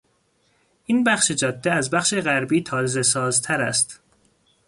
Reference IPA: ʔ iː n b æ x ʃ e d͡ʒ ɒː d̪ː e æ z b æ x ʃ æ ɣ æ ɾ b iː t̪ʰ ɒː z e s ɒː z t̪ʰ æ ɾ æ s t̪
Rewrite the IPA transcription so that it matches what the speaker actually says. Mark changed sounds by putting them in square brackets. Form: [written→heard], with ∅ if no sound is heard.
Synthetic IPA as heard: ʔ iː n b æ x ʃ e d͡ʒ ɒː d̪ː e æ z b æ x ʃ [æ→e] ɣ æ ɾ b iː t̪ʰ ɒː z e s ɒː z t̪ʰ æ ɾ æ s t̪